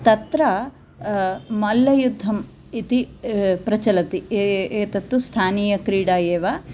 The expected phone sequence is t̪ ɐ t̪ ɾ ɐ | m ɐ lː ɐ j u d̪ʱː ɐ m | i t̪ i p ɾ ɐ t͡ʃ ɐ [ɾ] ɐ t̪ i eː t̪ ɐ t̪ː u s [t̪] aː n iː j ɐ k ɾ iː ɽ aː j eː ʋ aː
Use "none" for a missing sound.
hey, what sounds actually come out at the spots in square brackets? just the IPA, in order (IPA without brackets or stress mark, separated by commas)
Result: l, t̪ʰ